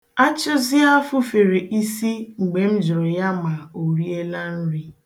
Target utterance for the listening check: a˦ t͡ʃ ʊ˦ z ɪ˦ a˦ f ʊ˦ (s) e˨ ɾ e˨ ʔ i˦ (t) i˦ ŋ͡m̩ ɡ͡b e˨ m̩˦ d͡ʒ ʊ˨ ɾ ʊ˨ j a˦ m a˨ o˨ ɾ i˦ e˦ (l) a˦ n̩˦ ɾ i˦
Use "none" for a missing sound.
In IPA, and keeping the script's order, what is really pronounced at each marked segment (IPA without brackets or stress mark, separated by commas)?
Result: f, s, l